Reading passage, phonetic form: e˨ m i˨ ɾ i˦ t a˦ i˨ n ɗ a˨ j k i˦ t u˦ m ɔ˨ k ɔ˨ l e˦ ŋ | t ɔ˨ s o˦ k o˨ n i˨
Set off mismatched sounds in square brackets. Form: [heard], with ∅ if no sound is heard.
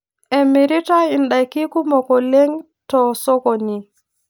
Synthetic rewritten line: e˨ m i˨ ɾ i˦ t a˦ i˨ n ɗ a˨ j k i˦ [k] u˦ m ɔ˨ k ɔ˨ l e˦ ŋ | t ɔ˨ s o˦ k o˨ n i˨